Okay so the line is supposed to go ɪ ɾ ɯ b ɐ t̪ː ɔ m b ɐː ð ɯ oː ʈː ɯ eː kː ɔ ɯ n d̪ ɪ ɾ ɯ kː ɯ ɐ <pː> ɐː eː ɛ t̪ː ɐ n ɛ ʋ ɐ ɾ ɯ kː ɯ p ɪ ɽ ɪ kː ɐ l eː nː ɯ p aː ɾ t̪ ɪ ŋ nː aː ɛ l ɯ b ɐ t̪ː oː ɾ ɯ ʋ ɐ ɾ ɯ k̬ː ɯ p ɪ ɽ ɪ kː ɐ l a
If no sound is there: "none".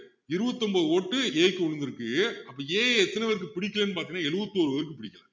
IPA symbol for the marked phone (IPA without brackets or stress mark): pː